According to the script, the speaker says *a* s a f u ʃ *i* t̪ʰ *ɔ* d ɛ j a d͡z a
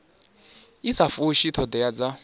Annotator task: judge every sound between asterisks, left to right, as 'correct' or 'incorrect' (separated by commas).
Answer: incorrect, correct, correct